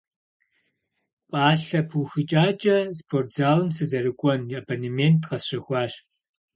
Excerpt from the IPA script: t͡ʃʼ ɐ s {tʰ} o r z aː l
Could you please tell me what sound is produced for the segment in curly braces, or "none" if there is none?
pʰ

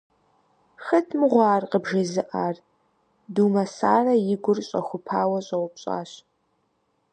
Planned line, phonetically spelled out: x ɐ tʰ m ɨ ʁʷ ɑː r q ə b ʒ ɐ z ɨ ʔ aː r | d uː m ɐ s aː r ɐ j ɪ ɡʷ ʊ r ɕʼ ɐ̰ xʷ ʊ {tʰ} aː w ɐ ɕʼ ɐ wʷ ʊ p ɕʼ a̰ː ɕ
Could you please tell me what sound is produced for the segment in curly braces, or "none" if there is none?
pʰ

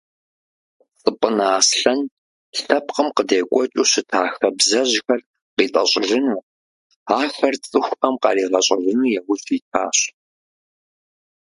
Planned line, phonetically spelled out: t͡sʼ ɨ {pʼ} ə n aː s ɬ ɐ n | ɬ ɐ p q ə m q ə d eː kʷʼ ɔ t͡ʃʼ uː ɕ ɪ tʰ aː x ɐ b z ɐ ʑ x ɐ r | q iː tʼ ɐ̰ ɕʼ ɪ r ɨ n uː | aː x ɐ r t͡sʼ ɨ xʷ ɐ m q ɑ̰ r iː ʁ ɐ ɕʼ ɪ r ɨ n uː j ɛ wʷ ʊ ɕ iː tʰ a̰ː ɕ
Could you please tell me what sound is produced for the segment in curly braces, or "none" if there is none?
pʼ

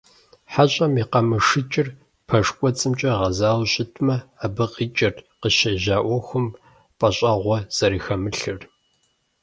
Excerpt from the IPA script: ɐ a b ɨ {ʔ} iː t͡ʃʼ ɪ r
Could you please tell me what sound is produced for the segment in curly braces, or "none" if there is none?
q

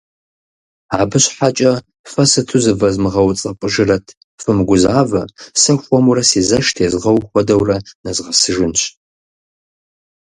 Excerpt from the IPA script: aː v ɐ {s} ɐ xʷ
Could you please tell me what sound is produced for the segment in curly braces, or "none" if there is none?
s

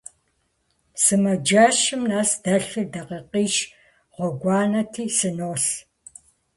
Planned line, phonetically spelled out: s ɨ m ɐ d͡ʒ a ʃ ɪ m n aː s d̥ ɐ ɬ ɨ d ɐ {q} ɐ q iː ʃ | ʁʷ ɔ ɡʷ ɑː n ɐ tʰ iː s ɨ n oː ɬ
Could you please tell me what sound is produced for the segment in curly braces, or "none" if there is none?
q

